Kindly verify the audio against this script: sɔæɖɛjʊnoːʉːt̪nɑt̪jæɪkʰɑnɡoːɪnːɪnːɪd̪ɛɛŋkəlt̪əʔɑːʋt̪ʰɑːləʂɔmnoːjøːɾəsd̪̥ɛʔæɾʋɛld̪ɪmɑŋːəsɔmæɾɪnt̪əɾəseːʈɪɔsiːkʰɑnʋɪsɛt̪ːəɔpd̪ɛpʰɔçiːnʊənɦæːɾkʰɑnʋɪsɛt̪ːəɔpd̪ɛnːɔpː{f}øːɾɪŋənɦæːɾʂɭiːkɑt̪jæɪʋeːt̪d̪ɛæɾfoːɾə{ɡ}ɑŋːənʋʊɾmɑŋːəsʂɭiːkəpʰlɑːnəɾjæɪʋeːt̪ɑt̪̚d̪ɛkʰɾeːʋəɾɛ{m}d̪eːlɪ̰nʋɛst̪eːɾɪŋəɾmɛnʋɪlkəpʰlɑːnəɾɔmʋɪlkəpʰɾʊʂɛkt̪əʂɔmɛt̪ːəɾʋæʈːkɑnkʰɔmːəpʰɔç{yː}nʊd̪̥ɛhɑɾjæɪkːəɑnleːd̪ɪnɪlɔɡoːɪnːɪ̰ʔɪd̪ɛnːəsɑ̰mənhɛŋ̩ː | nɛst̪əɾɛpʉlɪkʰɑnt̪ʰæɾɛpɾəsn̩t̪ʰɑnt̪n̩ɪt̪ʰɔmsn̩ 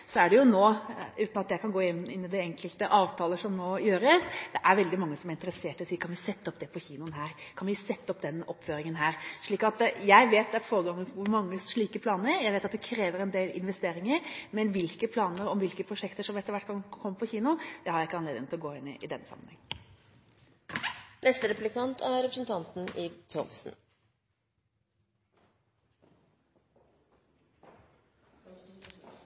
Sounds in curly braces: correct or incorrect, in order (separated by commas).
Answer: correct, correct, incorrect, incorrect